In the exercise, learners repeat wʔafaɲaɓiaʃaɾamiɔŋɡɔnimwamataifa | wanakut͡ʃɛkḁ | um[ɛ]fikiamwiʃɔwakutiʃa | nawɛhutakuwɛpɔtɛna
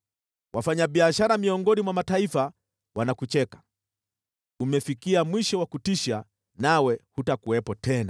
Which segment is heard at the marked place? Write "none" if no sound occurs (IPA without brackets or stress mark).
ɛ